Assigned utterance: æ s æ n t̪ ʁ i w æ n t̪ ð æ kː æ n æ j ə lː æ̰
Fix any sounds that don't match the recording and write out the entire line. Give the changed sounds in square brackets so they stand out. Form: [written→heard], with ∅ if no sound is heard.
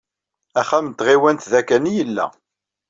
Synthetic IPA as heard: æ [s→χ] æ [n→m] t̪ ʁ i w æ n t̪ ð æ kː æ n [æ→i] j ə lː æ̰